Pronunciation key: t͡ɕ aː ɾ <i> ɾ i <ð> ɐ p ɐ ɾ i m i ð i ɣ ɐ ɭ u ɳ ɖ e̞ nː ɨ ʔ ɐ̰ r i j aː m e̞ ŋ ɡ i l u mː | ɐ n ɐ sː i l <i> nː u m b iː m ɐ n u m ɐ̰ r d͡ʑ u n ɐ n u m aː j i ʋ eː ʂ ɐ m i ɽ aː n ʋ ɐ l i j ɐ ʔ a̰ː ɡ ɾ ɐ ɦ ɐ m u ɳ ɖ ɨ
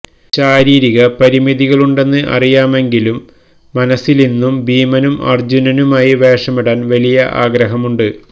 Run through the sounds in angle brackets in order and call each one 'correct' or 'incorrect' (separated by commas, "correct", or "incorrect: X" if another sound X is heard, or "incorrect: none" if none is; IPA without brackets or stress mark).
incorrect: iː, incorrect: ɣ, correct